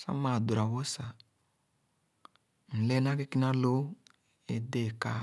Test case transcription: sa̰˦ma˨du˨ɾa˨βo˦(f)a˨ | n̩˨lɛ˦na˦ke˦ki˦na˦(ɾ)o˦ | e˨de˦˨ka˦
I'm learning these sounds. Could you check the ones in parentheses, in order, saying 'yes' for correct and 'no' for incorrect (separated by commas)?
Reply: no, no